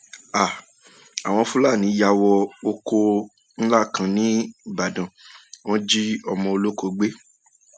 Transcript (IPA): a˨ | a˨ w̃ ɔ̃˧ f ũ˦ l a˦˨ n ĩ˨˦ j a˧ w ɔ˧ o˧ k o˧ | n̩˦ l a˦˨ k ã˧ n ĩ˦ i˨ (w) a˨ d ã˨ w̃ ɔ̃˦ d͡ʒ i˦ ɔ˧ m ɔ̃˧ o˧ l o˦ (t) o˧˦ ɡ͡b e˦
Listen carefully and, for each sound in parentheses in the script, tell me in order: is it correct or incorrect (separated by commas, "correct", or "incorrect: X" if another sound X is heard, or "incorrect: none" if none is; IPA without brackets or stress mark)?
incorrect: b, incorrect: k